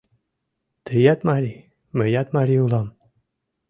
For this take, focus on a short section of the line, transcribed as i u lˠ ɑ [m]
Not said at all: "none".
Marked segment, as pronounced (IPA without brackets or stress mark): m